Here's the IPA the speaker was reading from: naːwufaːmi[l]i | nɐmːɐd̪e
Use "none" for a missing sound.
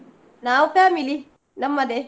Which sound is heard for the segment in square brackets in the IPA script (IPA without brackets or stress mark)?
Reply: l